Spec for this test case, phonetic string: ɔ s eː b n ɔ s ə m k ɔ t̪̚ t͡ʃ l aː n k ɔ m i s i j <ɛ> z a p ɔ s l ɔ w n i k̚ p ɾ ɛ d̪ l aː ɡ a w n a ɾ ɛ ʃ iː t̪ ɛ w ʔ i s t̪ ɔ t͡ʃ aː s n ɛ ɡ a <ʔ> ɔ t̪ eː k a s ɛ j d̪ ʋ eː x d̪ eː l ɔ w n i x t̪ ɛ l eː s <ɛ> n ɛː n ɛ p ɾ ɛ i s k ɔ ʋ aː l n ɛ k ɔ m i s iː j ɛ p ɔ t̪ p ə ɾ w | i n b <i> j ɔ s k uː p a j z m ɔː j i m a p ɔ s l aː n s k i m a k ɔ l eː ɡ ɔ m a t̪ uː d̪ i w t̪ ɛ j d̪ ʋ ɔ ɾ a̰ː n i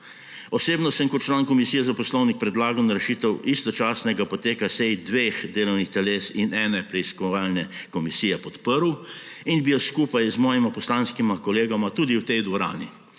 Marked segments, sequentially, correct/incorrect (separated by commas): correct, incorrect, incorrect, correct